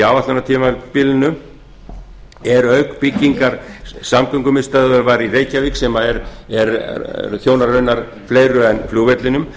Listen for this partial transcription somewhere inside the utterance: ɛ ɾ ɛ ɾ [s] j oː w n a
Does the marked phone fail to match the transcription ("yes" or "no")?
yes